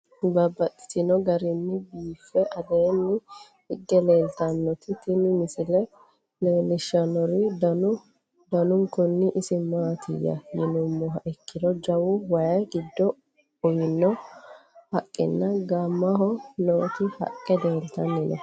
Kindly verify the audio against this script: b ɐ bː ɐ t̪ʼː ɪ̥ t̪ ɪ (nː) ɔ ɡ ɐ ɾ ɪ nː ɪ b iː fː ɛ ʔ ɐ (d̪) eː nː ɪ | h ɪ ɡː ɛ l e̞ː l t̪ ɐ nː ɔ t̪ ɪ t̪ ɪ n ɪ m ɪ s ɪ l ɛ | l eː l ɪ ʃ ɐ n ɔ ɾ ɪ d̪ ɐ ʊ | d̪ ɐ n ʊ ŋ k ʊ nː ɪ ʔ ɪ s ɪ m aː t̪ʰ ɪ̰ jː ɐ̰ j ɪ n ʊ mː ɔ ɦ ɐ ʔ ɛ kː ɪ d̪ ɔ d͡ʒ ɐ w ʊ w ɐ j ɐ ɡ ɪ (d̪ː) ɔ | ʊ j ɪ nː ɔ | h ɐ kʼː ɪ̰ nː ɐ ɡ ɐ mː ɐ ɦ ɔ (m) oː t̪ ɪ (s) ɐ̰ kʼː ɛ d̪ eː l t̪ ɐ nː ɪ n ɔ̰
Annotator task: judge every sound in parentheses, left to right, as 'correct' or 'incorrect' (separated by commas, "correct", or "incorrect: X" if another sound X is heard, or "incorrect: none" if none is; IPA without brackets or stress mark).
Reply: incorrect: n, correct, correct, incorrect: n, incorrect: h